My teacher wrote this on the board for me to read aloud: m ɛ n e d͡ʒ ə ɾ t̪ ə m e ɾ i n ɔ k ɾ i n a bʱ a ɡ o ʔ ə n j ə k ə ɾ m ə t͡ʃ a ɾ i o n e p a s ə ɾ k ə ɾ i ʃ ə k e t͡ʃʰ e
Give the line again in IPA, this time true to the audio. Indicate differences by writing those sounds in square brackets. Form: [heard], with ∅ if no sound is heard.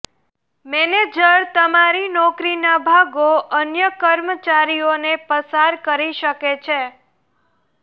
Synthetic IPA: m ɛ n e d͡ʒ ə ɾ t̪ ə m [a] ɾ i n ɔ k ɾ i n a bʱ a ɡ o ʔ ə n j ə k ə ɾ m ə t͡ʃ a ɾ i o n e p [ə] s [a] ɾ k ə ɾ i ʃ ə k e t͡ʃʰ e

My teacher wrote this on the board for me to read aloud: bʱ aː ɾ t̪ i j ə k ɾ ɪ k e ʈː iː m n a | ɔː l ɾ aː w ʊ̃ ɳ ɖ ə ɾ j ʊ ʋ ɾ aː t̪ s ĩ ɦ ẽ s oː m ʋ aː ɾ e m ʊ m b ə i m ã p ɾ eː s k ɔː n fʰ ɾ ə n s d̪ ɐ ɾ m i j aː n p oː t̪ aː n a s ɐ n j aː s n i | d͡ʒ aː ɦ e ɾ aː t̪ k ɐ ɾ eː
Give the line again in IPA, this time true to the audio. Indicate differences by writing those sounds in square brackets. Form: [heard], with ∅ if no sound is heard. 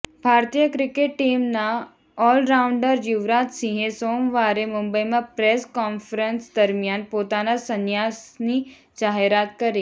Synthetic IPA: bʱ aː ɾ t̪ i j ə k ɾ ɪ k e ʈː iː m n a | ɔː l ɾ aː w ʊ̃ ɳ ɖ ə ɾ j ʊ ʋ ɾ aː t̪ s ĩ ɦ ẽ s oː m ʋ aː ɾ e m ʊ m b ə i m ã p ɾ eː s k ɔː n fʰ ɾ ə n s d̪ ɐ ɾ m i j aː n p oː t̪ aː n a s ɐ n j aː s n i | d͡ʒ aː ɦ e ɾ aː t̪ k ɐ ɾ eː

